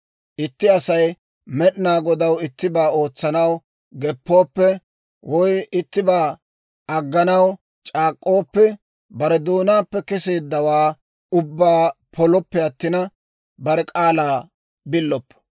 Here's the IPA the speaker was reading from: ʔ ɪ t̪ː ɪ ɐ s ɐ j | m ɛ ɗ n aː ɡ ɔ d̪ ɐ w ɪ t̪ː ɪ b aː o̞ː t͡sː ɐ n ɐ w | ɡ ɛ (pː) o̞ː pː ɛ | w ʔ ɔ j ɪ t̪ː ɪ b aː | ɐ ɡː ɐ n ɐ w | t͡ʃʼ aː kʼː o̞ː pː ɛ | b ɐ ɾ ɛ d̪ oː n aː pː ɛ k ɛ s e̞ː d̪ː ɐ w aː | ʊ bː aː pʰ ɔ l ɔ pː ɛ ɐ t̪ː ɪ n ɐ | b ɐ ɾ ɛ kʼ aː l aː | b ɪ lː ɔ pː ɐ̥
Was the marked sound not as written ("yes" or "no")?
no